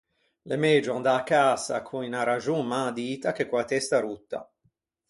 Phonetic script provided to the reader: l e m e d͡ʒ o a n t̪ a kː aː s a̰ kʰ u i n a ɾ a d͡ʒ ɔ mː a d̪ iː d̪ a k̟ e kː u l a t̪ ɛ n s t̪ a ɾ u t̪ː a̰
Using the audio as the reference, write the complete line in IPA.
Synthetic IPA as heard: l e m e d͡ʒ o a n d̪ a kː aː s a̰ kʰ u i n a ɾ a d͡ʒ u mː a d̪ iː t̪ a k̟ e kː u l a t̪ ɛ s t̪ a ɾ u t̪ː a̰